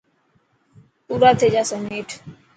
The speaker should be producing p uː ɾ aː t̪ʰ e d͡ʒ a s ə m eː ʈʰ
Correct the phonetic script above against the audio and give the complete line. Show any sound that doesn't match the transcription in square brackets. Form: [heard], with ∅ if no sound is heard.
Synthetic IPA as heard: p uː ɾ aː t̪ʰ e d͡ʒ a s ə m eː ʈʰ